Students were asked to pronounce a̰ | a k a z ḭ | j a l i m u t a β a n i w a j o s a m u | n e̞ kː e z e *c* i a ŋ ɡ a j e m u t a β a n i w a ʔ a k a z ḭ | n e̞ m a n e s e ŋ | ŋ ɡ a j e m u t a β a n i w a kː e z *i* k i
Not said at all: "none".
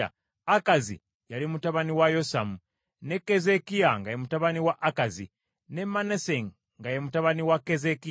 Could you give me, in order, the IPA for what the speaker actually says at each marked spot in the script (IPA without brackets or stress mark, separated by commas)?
k, e